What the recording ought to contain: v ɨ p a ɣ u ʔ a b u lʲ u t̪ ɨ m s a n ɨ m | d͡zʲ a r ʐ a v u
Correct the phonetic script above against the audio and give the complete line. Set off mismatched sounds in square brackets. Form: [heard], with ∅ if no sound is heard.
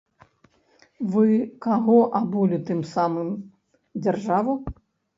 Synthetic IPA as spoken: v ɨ [k] a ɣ [ɔ] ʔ a b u lʲ u t̪ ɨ m s a [m] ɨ m | d͡zʲ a r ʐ a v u